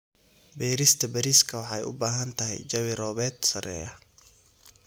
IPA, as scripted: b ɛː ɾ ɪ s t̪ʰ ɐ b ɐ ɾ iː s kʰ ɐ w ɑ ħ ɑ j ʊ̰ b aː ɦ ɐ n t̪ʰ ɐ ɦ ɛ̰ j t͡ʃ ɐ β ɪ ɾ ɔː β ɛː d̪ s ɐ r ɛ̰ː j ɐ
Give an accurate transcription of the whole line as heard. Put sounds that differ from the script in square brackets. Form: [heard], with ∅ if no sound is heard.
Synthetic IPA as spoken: b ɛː ɾ ɪ s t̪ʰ ɐ b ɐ ɾ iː s kʰ ɐ w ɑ ħ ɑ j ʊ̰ b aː ɦ ɐ n t̪ʰ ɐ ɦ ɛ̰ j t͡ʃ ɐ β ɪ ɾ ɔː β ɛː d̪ s ɐ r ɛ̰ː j ɐ